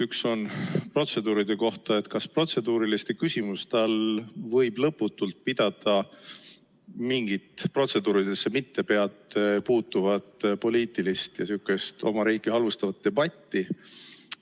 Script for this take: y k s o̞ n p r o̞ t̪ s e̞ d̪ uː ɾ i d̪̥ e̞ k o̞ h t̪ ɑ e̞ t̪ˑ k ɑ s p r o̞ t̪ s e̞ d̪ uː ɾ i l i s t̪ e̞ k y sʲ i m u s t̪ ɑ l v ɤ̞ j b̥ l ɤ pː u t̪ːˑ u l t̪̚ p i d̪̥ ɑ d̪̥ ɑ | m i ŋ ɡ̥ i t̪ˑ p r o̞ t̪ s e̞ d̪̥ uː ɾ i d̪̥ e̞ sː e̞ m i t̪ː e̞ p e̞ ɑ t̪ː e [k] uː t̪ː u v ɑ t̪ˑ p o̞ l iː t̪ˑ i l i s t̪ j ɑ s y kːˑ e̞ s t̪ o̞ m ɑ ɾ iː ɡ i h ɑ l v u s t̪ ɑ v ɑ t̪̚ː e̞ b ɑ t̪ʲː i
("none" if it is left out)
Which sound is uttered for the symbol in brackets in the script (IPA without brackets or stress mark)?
p